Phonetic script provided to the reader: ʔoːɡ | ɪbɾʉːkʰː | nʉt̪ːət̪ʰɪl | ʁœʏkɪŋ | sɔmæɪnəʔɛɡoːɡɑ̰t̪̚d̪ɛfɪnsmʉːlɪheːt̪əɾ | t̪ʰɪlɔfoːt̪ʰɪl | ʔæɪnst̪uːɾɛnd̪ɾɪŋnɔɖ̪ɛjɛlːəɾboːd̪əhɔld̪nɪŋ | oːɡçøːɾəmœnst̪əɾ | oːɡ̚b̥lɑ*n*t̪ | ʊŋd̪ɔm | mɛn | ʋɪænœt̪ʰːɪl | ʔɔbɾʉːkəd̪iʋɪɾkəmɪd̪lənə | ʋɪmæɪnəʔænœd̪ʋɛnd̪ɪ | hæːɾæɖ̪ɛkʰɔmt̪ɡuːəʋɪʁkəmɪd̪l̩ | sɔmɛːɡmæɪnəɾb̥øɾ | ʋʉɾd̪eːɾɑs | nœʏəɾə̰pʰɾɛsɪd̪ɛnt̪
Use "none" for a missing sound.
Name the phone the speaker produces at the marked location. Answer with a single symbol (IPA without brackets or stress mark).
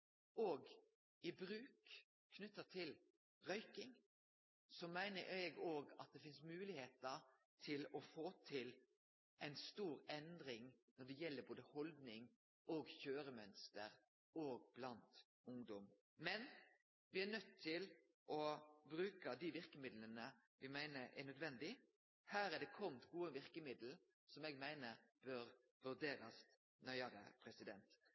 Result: n